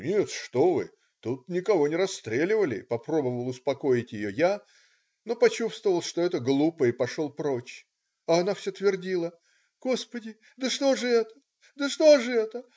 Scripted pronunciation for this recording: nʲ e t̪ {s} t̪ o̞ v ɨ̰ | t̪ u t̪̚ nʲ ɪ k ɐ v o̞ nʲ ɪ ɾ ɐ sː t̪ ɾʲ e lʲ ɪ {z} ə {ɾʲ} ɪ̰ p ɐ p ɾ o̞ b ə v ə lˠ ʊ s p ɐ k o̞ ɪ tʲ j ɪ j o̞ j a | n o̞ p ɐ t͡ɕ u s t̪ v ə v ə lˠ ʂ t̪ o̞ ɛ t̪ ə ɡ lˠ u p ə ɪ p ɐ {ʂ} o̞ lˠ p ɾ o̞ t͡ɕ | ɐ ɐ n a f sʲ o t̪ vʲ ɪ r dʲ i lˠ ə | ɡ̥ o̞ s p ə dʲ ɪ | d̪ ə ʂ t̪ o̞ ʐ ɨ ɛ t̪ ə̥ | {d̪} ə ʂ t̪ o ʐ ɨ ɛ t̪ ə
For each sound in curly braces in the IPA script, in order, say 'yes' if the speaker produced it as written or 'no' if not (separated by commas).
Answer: no, no, no, yes, yes